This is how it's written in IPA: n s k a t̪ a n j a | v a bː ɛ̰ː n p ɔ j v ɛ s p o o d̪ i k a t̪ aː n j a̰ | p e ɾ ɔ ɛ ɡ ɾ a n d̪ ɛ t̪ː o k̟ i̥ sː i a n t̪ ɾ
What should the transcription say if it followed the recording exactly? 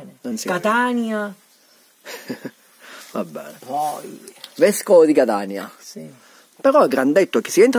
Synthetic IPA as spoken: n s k a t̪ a n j a | v a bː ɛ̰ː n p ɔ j v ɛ s k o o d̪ i k a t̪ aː n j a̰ | p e ɾ ɔ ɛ ɡ ɾ a n d̪ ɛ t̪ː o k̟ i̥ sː i ɛ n t̪ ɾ